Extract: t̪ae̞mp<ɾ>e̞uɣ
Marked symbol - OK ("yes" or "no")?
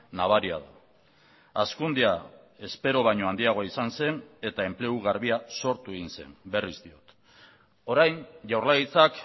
no